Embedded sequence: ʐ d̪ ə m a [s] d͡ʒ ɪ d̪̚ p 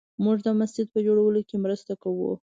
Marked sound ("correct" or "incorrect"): correct